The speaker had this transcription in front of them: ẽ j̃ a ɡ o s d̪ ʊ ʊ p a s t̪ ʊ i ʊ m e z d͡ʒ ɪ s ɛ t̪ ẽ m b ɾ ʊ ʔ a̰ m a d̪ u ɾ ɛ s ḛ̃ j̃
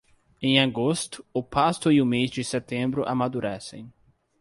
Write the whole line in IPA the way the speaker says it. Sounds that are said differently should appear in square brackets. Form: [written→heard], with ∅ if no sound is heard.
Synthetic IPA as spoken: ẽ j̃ a ɡ o s [d̪→t̪] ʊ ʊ p a s t̪ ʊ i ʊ m e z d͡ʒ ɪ s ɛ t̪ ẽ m b ɾ ʊ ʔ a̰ m a d̪ u ɾ ɛ s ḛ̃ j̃